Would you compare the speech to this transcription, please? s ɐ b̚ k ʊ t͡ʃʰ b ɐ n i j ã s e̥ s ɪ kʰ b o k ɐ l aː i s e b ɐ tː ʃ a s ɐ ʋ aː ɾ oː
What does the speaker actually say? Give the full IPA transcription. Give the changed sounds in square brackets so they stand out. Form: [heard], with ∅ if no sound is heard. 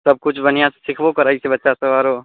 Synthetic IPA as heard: s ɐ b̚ k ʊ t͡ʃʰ b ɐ n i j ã s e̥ s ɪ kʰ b o k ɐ [ɾ] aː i s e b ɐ tː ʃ a s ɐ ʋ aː ɾ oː